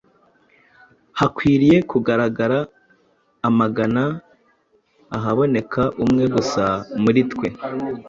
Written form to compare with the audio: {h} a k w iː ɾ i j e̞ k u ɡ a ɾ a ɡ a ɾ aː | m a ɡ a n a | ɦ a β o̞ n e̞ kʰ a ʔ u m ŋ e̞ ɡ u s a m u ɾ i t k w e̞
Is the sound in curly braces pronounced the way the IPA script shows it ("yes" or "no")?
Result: yes